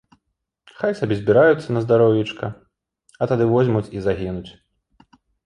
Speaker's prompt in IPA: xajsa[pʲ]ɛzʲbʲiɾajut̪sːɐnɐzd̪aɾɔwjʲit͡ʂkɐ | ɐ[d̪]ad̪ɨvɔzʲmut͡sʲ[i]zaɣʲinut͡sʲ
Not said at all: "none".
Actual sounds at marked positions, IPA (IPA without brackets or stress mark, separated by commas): bʲ, t̪, i